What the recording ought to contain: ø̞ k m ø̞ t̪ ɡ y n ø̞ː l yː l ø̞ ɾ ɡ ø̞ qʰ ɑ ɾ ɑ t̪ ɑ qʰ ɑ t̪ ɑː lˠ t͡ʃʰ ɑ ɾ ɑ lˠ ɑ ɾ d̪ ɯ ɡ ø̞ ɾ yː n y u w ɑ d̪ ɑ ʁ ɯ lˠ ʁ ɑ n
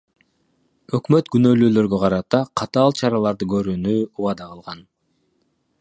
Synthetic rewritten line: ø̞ k m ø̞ t̪ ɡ y n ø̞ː l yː l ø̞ ɾ ɡ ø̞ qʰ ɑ ɾ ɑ t̪ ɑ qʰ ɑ t̪ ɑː lˠ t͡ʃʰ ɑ ɾ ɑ lˠ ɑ ɾ d̪ ɯ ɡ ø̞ ɾ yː n y u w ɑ d̪ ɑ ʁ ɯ lˠ ʁ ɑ n